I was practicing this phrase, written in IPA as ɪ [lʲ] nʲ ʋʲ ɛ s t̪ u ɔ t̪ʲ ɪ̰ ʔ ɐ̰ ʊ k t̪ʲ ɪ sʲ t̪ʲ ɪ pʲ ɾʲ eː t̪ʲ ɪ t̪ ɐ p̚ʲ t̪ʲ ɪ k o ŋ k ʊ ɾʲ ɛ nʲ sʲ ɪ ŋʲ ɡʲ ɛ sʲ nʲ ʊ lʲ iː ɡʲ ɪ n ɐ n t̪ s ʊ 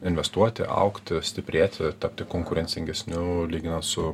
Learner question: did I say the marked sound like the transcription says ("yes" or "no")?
no